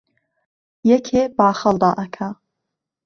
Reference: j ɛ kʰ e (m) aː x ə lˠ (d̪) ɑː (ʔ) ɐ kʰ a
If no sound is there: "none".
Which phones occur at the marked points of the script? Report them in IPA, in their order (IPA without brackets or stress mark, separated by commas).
b, d̪, ʔ